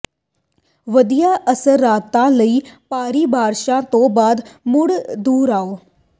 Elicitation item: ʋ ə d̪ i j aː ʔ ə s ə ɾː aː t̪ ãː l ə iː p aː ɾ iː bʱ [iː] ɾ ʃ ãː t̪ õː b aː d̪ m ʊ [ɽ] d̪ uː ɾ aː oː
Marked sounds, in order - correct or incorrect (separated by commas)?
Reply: incorrect, correct